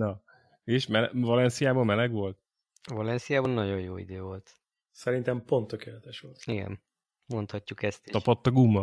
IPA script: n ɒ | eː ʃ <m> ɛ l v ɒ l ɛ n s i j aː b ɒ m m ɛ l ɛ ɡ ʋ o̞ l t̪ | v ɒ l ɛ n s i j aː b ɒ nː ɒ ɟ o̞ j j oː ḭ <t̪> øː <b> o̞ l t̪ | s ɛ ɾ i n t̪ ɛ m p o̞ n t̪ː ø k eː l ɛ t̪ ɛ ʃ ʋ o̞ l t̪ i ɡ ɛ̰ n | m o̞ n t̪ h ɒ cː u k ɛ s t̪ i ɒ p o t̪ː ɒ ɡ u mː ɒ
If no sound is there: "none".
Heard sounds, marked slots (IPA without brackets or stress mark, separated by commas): m, d̪, v